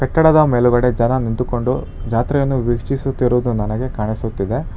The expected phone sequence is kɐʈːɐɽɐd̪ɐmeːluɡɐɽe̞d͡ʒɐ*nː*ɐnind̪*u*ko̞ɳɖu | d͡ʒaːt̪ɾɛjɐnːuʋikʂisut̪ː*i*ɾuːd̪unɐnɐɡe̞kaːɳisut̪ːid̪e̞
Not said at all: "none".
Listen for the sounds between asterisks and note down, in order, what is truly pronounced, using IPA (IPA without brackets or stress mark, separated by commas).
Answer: n, u, i